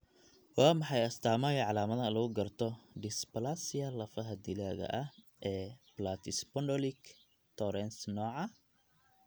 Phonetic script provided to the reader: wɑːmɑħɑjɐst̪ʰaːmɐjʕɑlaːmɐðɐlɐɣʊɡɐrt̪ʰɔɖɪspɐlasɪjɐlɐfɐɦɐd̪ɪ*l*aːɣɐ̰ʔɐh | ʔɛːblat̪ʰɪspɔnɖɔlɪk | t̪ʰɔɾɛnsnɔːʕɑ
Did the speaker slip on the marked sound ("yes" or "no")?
no